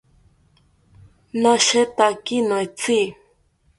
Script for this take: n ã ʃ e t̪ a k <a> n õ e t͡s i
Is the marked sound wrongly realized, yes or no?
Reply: yes